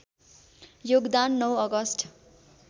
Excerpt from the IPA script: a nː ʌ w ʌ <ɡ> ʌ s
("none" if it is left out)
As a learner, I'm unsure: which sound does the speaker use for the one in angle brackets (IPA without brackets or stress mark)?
ɡ